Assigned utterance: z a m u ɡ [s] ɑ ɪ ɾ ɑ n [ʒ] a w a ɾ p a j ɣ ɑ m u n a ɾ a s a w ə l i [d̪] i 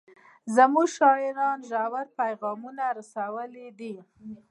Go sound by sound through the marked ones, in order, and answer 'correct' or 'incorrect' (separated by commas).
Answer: incorrect, correct, correct